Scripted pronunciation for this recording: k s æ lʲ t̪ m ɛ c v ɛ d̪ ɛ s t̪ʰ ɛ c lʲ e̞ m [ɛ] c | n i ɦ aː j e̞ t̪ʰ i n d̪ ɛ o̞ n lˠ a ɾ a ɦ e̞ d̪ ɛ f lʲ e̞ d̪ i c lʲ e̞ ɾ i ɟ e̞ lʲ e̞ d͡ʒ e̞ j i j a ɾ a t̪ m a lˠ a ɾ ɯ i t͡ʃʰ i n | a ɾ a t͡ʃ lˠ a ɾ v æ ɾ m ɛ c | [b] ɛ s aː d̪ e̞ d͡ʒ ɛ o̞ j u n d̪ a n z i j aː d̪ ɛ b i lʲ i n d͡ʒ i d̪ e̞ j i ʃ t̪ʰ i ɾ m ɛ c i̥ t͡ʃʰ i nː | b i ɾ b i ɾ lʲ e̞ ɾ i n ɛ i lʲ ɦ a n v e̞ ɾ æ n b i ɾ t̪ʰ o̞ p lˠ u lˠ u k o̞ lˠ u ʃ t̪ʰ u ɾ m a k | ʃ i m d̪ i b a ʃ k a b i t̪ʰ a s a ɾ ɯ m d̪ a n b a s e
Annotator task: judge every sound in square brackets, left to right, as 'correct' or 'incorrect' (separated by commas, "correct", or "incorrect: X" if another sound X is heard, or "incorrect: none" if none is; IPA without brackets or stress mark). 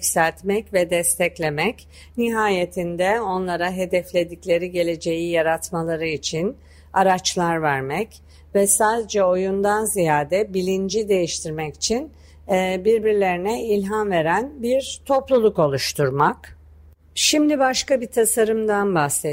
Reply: correct, incorrect: v